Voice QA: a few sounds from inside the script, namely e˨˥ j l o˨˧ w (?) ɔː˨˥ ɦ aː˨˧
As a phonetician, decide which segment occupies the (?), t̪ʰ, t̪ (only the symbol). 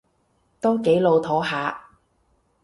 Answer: t̪ʰ